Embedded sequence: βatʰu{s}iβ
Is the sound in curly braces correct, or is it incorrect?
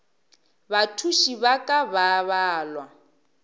incorrect